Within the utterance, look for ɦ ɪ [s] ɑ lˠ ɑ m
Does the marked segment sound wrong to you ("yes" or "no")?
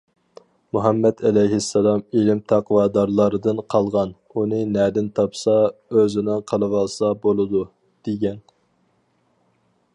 yes